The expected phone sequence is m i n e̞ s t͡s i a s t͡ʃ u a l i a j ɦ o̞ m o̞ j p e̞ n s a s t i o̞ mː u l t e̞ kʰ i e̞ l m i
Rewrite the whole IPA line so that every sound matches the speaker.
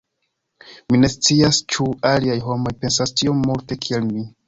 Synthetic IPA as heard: m i n e̞ s t͡s i a s t͡ʃ u a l i a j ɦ o̞ m o̞ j p e̞ n s a s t i o̞ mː u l t e̞ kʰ i e̞ l m i